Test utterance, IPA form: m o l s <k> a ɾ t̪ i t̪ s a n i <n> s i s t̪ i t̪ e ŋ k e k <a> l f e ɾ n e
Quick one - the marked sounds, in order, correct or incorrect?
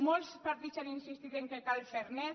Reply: incorrect, correct, correct

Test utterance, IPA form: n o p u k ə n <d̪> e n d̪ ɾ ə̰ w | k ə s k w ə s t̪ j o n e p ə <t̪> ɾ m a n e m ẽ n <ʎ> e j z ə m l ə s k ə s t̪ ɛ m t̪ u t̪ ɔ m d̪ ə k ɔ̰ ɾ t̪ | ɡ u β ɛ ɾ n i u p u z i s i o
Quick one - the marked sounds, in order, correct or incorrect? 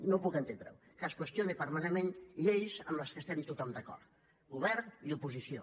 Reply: incorrect, incorrect, correct

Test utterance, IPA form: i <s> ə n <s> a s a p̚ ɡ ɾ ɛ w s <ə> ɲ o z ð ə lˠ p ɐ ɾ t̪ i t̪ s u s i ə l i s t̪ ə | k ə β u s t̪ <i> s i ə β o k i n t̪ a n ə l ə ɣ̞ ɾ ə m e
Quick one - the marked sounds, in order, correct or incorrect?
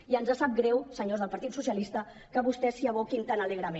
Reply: incorrect, incorrect, correct, incorrect

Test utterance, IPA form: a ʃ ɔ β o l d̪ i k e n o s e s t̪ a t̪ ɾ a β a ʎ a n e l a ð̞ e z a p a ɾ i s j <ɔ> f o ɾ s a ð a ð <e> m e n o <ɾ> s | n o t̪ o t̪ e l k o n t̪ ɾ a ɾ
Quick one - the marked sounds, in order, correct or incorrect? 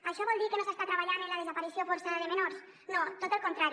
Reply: incorrect, correct, correct

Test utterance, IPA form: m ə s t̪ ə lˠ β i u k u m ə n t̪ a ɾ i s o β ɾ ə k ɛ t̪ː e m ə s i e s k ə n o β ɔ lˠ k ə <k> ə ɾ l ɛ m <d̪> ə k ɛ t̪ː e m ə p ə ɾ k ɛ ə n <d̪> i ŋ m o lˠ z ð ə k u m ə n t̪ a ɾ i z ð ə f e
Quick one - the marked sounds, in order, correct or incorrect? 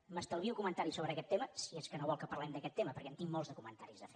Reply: incorrect, correct, incorrect

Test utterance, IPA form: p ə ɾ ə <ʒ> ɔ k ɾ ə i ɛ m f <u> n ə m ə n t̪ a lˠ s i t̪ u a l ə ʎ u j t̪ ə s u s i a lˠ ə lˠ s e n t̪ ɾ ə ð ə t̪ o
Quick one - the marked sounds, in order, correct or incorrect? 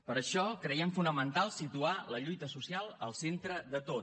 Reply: incorrect, correct

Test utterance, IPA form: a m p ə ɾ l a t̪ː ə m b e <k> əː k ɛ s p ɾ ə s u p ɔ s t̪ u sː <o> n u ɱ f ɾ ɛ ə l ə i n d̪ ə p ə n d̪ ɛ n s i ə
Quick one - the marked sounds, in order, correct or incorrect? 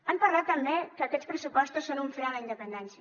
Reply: correct, correct

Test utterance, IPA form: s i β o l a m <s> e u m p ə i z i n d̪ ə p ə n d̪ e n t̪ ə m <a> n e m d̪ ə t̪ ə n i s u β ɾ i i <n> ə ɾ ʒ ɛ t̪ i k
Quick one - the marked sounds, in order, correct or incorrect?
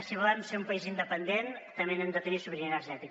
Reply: correct, incorrect, correct

